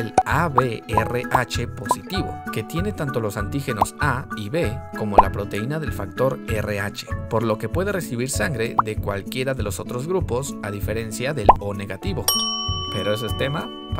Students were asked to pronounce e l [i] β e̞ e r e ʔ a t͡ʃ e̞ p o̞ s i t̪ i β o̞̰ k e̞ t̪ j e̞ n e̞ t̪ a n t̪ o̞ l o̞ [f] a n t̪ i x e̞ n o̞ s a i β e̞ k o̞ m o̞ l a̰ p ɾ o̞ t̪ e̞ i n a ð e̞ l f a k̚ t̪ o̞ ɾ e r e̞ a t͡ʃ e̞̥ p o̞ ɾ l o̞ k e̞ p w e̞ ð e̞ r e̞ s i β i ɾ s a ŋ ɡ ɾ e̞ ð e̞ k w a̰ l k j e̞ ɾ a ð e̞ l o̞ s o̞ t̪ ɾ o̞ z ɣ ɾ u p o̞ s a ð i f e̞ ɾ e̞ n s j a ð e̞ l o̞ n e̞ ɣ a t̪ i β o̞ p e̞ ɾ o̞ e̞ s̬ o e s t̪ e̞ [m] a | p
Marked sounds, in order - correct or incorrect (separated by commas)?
incorrect, incorrect, correct